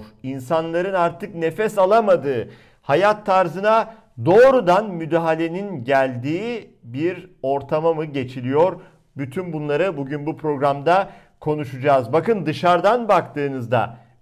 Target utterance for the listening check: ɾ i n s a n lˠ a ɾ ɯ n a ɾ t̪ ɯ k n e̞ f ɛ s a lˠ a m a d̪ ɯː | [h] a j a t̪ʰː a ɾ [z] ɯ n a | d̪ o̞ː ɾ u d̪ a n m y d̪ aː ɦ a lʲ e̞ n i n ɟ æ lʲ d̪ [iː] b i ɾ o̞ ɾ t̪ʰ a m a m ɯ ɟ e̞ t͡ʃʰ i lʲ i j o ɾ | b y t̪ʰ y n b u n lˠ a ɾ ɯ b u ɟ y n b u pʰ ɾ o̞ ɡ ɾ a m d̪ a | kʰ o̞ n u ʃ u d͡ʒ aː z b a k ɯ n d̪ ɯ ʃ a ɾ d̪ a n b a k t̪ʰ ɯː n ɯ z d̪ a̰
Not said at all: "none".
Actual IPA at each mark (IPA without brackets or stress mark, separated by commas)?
h, z, iː